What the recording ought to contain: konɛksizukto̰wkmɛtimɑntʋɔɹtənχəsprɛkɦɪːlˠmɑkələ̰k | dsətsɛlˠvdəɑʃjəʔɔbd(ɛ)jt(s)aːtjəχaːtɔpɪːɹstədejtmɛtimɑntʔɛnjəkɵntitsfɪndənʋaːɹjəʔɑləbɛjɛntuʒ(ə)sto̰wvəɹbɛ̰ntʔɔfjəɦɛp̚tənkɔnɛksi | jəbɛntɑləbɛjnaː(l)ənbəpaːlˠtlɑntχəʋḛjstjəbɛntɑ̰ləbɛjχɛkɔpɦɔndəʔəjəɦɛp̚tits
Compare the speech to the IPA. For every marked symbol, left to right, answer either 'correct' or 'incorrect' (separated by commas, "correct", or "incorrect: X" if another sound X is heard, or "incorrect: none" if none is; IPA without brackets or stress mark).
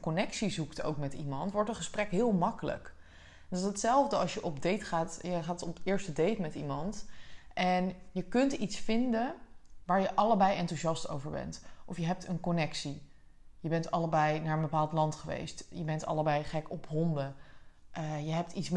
incorrect: e, incorrect: χ, incorrect: ɑ, incorrect: ɹ